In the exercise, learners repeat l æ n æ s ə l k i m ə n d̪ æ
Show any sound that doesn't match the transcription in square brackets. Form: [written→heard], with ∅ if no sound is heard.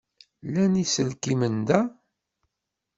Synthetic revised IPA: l æ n [æ→i] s ə l k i m ə n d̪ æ